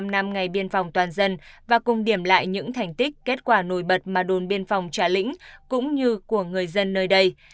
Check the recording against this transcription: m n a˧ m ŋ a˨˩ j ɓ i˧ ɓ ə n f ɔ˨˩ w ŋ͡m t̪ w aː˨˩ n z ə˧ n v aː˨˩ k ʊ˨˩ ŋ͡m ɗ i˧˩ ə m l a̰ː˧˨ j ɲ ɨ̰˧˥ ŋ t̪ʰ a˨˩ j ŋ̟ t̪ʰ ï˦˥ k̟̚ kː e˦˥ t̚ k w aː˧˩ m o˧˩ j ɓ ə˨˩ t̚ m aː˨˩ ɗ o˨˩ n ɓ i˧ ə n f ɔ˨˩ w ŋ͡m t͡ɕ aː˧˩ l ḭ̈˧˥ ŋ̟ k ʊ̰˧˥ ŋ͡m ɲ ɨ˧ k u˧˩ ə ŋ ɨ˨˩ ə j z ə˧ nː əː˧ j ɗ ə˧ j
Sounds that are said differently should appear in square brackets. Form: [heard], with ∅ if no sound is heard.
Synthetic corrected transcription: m n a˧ m ŋ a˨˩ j ɓ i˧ [∅] ə n f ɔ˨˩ w ŋ͡m t̪ w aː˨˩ n z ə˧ n v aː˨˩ k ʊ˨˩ ŋ͡m ɗ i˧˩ ə m l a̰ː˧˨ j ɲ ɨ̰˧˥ ŋ t̪ʰ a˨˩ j ŋ̟ [t̪] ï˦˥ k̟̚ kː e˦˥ t̚ k w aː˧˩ [n] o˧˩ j ɓ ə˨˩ t̚ m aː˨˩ ɗ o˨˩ n ɓ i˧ ə n f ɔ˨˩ w ŋ͡m t͡ɕ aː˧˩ l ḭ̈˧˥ ŋ̟ k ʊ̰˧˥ ŋ͡m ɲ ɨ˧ k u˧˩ ə ŋ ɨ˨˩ ə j z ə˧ nː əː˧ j ɗ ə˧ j